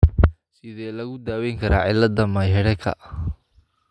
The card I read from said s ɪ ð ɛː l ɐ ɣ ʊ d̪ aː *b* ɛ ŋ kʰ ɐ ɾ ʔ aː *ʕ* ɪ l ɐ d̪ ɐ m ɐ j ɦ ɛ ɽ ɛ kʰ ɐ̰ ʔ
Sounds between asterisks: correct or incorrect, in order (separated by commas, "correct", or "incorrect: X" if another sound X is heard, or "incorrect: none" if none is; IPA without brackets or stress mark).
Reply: incorrect: w, correct